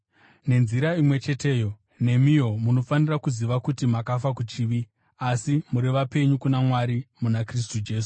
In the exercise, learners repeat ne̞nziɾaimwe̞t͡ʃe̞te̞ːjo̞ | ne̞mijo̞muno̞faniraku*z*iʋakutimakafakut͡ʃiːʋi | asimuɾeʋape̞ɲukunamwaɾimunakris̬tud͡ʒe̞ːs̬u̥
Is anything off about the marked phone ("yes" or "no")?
no